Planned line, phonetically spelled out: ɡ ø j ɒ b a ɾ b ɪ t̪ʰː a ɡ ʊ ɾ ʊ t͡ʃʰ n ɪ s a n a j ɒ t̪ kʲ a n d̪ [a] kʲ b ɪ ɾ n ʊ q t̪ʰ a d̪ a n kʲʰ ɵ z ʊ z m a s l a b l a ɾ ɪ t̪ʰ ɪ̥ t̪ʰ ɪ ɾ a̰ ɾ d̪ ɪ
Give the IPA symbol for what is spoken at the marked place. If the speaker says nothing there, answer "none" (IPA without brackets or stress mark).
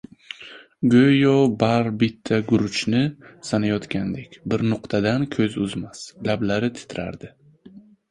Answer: e